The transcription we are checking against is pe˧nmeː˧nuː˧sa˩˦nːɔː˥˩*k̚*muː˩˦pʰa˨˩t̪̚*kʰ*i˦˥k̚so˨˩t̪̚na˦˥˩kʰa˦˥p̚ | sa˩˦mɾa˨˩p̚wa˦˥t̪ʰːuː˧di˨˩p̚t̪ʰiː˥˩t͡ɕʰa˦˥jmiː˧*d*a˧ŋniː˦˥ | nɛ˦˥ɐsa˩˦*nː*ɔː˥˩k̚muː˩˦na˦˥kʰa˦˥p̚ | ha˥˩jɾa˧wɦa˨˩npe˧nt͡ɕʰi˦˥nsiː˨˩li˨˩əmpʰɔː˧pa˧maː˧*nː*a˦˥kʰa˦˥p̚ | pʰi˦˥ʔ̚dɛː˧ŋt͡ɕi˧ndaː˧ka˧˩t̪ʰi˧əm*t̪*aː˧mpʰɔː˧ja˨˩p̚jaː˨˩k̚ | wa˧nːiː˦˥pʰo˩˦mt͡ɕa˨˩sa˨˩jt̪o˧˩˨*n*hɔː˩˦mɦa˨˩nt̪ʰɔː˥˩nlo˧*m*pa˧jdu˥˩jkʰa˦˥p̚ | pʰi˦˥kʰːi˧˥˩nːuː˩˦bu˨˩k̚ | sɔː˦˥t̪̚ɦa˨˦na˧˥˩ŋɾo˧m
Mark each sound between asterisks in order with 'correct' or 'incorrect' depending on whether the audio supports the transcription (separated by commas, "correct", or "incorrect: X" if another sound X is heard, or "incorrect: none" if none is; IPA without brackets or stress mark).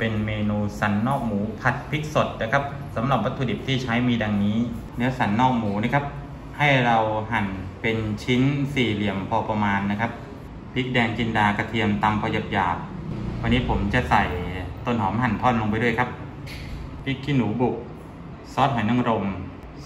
correct, incorrect: pʰ, correct, correct, correct, correct, correct, incorrect: ŋ